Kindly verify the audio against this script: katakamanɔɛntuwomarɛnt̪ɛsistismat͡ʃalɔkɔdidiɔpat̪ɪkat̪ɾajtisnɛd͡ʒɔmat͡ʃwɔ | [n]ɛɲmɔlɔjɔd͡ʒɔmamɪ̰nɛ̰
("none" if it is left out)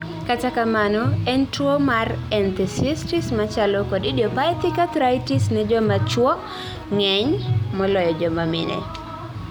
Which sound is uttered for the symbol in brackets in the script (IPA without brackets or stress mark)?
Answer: ŋ